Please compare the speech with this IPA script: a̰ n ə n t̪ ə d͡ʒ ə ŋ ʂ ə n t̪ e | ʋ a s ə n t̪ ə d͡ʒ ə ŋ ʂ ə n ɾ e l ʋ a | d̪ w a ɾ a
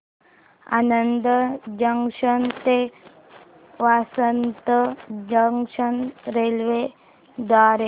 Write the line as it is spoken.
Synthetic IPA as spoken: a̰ n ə n d̪ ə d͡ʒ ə ŋ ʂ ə n t̪ e | ʋ a s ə n t̪ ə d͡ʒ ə ŋ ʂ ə n ɾ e l ʋ e | d̪ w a ɾ e